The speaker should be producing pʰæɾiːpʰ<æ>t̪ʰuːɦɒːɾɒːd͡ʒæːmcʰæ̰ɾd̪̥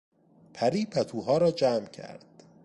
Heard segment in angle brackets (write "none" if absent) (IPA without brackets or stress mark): æ